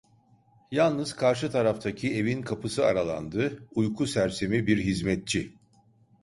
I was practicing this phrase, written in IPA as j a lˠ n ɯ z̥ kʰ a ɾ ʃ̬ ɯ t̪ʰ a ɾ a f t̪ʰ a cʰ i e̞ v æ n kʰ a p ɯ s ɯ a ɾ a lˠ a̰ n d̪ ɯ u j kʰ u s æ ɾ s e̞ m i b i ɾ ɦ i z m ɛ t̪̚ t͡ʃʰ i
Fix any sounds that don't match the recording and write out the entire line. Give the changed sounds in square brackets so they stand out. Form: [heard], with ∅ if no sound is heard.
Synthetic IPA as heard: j a lˠ n ɯ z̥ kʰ a ɾ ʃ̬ ɯ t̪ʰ a ɾ a f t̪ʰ a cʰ i e̞ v [i] n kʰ a p ɯ s ɯ a ɾ a lˠ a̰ n d̪ ɯ u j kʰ u s æ ɾ s e̞ m i b i ɾ ɦ i z m ɛ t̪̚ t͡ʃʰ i